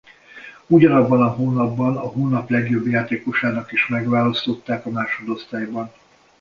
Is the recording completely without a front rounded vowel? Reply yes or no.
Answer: yes